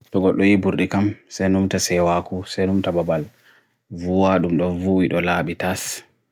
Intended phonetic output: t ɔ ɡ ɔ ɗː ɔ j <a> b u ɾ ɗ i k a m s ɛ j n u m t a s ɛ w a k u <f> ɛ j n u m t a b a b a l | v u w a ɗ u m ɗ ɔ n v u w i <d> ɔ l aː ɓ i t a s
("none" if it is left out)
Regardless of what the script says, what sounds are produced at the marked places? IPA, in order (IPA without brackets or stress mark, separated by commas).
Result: i, s, ɗ